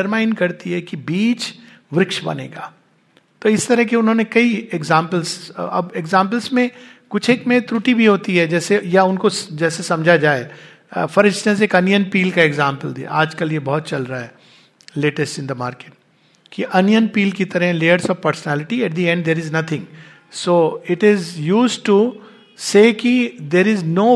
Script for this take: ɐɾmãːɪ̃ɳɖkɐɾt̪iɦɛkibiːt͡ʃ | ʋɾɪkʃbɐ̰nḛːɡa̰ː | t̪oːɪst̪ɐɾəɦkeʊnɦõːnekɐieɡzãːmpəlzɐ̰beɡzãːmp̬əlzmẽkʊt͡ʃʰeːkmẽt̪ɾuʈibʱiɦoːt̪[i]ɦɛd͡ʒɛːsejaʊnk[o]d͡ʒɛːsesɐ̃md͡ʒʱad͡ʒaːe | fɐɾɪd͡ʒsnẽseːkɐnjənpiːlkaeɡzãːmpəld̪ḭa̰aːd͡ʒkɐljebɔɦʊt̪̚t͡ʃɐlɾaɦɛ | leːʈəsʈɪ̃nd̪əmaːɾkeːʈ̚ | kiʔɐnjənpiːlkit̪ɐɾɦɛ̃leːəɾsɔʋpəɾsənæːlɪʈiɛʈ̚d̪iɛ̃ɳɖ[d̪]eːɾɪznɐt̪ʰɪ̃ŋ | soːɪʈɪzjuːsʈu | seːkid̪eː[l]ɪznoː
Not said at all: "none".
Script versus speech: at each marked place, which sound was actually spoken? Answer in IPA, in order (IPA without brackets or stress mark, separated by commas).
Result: i, o, d̪, ɾ